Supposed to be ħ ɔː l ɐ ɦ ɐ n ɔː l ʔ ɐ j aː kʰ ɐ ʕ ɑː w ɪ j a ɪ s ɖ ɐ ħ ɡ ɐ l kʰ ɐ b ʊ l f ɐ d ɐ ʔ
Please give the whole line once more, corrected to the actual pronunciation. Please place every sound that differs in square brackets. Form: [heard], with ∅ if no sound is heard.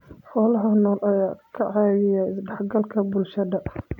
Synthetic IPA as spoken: ħ ɔː l ɐ ɦ ɐ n ɔː l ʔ ɐ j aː kʰ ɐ ʕ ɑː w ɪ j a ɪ s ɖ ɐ ħ ɡ ɐ l kʰ ɐ b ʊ l [ʃ] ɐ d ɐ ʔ

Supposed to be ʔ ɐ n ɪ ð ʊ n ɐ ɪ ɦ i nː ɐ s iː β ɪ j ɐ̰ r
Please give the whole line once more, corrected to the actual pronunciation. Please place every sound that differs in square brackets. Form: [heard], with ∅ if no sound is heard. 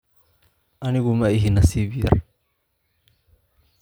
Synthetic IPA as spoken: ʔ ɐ n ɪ [ɣ] ʊ [m] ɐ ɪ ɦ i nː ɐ s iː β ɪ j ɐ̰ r

